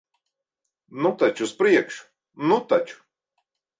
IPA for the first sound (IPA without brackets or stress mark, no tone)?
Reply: n